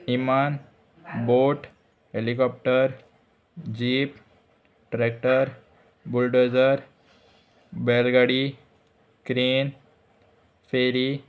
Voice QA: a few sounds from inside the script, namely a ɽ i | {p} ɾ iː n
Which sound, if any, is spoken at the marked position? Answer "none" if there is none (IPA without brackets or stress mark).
k